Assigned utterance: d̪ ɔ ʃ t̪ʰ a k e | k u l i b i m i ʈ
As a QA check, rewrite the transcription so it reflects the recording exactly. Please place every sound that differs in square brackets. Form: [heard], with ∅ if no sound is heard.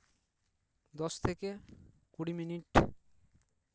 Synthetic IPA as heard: d̪ ɔ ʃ t̪ʰ [e] k e | k u [ɽ] i [m] i [n] i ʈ

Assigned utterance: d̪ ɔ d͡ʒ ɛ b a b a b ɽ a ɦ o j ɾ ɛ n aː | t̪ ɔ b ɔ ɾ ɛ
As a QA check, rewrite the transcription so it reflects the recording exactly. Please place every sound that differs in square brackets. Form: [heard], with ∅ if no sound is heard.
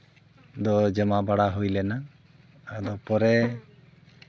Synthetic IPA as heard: d̪ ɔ d͡ʒ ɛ [m] a b a [∅] ɽ a ɦ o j [l] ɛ n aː | [d̪] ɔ [p] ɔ ɾ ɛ

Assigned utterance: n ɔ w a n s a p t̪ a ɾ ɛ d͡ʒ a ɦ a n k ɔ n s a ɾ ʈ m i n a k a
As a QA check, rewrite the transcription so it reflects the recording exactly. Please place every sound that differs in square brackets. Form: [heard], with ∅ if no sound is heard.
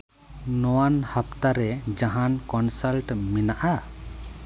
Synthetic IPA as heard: n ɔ w a n [h] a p t̪ a ɾ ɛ d͡ʒ a ɦ a n k ɔ n s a [l] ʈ m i n a [ʔ] a

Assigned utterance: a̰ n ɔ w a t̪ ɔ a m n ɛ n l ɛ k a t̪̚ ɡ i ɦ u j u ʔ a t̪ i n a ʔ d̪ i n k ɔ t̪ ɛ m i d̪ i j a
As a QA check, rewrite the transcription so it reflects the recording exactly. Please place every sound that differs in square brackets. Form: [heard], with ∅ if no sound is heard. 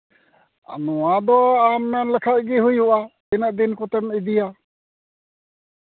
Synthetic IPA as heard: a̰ n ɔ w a [d̪] ɔ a m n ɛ n l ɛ [kʰ] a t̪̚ ɡ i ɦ u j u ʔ a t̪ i n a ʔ d̪ i n k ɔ t̪ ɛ m i d̪ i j a

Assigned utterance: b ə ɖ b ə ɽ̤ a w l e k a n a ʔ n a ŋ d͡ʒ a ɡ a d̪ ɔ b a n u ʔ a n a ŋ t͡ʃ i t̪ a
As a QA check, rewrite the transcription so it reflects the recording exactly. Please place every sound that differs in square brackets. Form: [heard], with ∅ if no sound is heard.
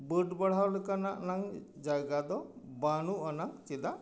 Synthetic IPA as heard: b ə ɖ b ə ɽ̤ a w l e k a n a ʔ n a ŋ d͡ʒ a ɡ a d̪ ɔ b a n u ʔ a n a ŋ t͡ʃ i [d̪] a

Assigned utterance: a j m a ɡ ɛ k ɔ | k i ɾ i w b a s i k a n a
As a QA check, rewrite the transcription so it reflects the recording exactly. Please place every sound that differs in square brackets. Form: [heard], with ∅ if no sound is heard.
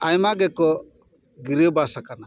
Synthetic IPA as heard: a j m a ɡ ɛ k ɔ | [ɡ] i ɾ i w b a s [a] k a n a

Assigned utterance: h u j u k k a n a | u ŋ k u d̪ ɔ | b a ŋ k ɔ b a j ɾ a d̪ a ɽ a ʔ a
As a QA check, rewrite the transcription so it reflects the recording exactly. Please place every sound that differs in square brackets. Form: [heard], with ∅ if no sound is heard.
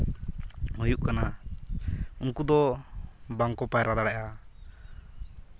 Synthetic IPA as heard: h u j u [ʔ] k a n a | u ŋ k u d̪ ɔ | b a ŋ k ɔ [p] a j ɾ a d̪ a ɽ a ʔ a

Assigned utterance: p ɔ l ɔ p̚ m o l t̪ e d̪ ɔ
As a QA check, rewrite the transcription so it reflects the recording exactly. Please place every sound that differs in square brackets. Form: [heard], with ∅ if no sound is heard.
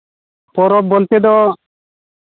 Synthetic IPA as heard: p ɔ [ɾ] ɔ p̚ [b] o l t̪ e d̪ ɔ

